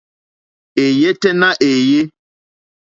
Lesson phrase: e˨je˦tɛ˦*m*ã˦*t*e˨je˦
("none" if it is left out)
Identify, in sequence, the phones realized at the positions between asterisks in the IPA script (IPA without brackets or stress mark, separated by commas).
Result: n, ʔ